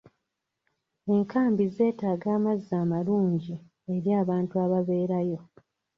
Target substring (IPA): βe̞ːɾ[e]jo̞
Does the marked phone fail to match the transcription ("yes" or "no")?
yes